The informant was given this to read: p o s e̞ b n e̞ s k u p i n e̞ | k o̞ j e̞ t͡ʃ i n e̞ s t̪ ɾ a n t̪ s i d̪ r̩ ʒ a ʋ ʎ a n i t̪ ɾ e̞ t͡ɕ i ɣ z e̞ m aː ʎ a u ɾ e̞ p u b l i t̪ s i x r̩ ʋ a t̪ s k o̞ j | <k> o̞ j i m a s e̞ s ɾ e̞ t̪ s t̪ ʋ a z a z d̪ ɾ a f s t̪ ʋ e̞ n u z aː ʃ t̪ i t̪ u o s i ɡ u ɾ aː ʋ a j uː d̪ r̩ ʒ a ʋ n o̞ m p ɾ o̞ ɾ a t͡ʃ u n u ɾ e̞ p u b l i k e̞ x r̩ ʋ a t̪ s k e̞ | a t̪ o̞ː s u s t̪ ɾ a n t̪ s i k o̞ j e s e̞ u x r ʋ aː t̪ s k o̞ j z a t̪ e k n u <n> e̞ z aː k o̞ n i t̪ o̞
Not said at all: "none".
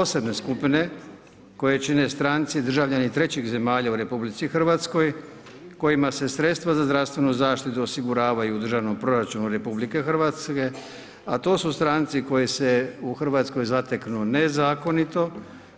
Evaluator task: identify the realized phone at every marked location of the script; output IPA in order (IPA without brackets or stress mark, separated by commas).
k, n